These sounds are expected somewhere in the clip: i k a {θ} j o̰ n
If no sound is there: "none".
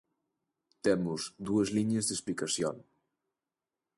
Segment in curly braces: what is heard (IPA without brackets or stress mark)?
s